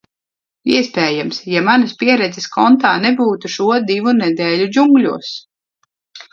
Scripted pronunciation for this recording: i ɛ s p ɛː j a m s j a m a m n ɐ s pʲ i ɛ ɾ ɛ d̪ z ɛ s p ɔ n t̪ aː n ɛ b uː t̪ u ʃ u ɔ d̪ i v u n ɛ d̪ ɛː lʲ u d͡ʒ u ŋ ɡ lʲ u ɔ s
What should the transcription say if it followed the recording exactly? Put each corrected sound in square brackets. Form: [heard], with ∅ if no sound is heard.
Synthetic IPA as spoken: i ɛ s p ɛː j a m s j a m a [∅] n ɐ s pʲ i ɛ ɾ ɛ d̪ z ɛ s [k] ɔ n t̪ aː n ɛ b uː t̪ u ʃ u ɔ d̪ i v u n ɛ d̪ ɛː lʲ u d͡ʒ u ŋ ɡ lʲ u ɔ s